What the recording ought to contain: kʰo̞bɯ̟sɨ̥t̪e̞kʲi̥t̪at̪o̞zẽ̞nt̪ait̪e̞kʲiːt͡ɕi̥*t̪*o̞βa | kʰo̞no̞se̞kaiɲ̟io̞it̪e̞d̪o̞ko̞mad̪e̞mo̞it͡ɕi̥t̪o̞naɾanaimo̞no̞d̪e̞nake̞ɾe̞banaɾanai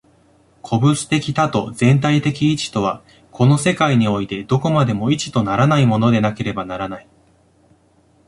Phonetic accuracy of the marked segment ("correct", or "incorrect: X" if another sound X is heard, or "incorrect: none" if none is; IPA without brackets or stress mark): correct